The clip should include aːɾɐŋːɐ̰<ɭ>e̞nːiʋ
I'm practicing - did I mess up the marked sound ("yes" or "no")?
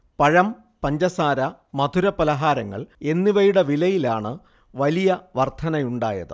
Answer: no